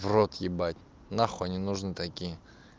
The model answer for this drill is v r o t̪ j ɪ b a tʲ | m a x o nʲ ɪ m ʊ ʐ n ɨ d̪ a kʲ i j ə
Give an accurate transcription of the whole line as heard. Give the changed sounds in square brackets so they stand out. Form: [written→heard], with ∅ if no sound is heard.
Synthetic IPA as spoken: v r o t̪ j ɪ b a tʲ | [m→n] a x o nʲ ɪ [m→n] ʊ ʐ n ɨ [d̪→t̪] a kʲ i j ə